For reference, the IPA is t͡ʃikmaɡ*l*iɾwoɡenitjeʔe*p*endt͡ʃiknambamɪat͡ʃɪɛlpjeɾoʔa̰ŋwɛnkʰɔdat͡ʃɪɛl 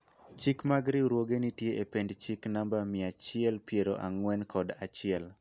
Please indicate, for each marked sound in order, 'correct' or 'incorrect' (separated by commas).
incorrect, correct